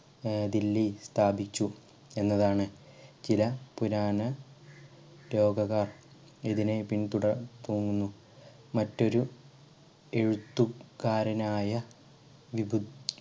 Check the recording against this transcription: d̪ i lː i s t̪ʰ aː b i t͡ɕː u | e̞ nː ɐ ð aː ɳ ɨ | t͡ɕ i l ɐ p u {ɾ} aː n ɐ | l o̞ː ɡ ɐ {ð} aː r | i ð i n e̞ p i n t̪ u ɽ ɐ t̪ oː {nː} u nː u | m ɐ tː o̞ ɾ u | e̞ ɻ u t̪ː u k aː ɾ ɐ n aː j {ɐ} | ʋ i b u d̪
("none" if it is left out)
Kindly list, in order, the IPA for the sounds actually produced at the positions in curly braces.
ɾ, ɣ, ŋː, ɐ

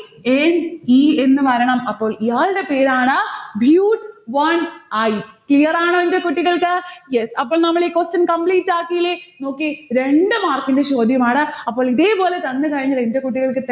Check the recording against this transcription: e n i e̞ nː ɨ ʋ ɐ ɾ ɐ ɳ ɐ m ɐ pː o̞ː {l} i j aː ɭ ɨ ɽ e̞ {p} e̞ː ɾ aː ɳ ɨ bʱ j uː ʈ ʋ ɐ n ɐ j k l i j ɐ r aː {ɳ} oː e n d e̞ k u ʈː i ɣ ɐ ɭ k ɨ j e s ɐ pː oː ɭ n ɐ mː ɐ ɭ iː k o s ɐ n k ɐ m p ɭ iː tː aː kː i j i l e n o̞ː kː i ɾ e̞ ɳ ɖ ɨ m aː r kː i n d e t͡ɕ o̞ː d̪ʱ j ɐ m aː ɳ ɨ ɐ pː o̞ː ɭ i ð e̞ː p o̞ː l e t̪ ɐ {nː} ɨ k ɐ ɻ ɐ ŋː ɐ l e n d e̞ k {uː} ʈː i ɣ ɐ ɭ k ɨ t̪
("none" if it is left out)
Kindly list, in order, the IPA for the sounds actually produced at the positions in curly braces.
ɭ, p, ɳ, nː, u

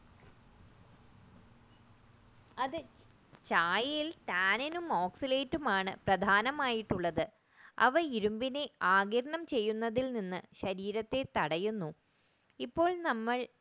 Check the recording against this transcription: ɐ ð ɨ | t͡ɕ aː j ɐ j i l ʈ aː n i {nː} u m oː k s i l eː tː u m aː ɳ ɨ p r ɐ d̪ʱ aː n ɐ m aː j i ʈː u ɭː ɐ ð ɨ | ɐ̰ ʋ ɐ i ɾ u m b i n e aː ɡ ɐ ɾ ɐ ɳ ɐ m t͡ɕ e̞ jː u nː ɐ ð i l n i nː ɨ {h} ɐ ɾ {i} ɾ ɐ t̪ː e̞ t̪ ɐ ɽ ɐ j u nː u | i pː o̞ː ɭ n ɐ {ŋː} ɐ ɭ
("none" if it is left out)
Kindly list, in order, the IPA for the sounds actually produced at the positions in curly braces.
n, ɕ, iː, mː

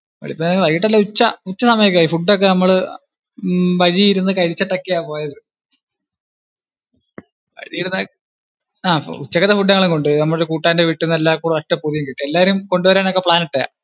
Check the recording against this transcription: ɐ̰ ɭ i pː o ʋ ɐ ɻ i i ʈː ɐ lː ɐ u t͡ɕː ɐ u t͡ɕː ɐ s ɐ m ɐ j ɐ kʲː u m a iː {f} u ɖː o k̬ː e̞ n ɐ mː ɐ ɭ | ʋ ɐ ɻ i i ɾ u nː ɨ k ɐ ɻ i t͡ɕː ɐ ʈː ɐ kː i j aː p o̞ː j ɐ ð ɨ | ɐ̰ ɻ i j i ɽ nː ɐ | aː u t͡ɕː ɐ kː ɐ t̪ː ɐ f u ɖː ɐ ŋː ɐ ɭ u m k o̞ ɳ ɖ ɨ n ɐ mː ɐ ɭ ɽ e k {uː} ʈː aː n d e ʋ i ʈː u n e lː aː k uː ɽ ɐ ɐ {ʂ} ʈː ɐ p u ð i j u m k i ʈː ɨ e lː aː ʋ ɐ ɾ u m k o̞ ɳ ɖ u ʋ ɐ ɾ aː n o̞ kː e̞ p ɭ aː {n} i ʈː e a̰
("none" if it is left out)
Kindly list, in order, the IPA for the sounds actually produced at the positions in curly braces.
f, uː, ʂ, n

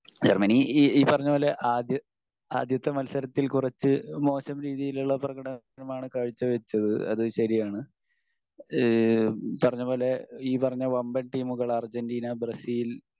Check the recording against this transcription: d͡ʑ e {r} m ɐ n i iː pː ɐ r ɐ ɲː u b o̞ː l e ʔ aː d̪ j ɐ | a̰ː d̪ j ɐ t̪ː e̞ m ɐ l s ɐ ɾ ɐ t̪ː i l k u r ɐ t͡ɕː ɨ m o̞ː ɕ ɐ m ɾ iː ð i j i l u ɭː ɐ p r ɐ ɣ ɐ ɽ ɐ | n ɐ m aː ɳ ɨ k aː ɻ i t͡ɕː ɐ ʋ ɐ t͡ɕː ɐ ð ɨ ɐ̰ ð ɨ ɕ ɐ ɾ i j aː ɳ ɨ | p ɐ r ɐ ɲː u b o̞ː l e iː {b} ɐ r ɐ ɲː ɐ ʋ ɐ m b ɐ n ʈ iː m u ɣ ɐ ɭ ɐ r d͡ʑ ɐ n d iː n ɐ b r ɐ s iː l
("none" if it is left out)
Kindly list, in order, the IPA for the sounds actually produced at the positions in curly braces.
r, p

